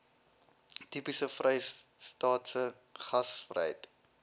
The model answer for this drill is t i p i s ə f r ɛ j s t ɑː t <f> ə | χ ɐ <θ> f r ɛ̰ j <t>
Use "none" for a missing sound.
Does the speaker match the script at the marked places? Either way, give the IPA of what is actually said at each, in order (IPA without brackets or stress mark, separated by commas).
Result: s, s, t